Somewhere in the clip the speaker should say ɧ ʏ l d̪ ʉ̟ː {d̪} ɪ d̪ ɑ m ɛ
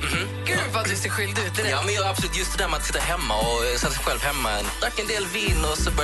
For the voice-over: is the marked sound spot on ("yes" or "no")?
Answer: no